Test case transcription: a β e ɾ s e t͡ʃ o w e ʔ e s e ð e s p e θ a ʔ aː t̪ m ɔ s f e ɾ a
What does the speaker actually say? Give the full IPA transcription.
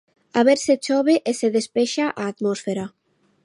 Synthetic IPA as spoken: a β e ɾ s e t͡ʃ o β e ʔ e s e ð e s p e ʃ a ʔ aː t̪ m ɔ s f e ɾ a

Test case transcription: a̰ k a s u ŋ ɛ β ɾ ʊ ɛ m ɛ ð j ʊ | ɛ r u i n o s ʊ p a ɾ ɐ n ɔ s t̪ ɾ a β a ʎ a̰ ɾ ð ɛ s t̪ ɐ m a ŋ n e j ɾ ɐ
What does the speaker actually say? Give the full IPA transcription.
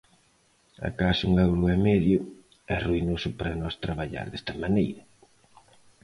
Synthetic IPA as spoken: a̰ k a s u ŋ ɛ w ɾ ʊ ɛ m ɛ ð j ʊ | ɛ r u i n o s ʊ p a ɾ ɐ n ɔ s t̪ ɾ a β a ʎ a̰ ɾ ð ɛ s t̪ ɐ m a n e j ɾ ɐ

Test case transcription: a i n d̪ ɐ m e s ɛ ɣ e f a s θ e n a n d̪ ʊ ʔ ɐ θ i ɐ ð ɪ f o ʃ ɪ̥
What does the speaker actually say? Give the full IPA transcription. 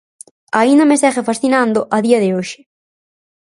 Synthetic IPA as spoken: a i n d̪ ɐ m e s ɛ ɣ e f a s θ i n a n d̪ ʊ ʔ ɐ ð i ɐ ð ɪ o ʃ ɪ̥

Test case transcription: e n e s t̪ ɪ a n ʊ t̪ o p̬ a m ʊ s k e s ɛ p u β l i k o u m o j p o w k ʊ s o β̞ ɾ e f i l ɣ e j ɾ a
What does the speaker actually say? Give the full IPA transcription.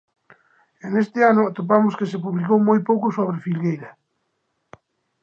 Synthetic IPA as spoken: e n e s t̪ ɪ a n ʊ t̪ o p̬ a m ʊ s k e s e p u β l i k o w m o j p o w k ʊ s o β̞ ɾ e f i l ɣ e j ɾ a

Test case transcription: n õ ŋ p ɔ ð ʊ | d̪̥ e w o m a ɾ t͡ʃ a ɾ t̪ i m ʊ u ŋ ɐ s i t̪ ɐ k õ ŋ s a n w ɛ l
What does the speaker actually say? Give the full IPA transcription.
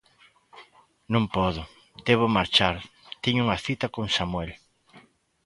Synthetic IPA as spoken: n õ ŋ p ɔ ð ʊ | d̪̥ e β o m a ɾ t͡ʃ a ɾ t̪ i ɲ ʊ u ŋ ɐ θ i t̪ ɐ k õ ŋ s a m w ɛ l

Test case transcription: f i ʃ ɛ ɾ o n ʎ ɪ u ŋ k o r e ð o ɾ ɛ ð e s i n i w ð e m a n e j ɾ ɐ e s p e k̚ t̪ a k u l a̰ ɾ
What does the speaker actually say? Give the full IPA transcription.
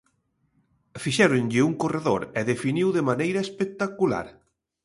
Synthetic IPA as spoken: f i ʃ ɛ ɾ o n ʎ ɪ u ŋ k o r e ð o ɾ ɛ ð e f i n i w ð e m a n e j ɾ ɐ e s p e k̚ t̪ a k u l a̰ ɾ

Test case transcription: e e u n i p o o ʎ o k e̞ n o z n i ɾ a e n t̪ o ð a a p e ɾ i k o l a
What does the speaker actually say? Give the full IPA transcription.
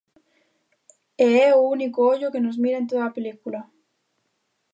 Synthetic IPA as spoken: e e u n i k o o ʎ o k e̞ n o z m i ɾ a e n t̪ o ð a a p e l i k u l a

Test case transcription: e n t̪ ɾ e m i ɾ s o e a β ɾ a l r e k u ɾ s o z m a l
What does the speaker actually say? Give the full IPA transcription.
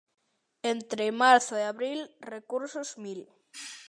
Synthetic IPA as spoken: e n t̪ ɾ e m a ɾ θ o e a β ɾ i l r e k u ɾ s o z m i l

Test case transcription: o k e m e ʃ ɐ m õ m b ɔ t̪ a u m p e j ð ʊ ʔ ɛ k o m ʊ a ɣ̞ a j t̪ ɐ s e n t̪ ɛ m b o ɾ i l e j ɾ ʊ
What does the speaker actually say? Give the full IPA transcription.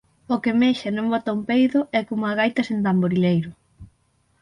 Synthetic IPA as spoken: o k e m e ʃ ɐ n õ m b ɔ t̪ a u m p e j ð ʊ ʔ ɛ k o m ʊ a ɣ̞ a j t̪ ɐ s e n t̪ a m b o ɾ i l e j ɾ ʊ

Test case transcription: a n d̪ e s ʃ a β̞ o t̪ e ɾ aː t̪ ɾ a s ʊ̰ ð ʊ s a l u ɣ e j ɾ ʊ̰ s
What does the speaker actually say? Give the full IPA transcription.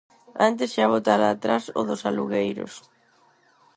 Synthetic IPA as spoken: a n t̪ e s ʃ a β̞ o t̪ a ɾ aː t̪ ɾ a s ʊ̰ ð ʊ s a l u ɣ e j ɾ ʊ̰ s

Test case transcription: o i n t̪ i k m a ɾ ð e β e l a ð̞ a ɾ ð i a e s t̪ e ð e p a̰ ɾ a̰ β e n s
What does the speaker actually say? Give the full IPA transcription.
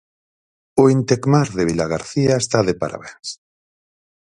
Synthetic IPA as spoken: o i n t̪ e k m a ɾ ð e β i l a ɣ̞ a ɾ θ i a e s t̪ a ð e p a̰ ɾ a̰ β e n s

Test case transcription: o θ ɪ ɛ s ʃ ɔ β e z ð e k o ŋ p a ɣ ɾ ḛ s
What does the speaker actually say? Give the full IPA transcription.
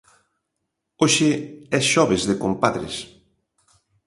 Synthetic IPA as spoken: o ʃ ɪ ɛ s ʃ ɔ β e z ð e k o m p a ð ɾ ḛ s

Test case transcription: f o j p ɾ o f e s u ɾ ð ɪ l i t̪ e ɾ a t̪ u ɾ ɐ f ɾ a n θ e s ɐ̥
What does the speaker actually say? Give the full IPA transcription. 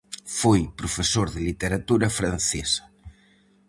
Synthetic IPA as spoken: f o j p ɾ o f e s o ɾ ð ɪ l i t̪ e ɾ a t̪ u ɾ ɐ f ɾ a n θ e s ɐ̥

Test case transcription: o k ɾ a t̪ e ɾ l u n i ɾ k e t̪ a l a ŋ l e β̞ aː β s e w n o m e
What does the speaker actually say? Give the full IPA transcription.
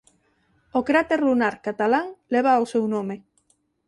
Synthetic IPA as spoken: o k ɾ a t̪ e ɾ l u n a ɾ k a t̪ a l a ŋ l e β̞ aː w s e w n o m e

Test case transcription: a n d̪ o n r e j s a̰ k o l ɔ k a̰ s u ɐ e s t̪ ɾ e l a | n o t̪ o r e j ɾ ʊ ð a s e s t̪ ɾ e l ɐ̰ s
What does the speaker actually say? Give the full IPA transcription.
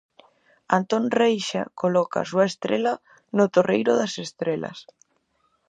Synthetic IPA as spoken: a n t̪ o n r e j ʃ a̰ k o l ɔ k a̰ s u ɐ e s t̪ ɾ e l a | n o t̪ o r e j ɾ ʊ ð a s e s t̪ ɾ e l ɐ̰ s

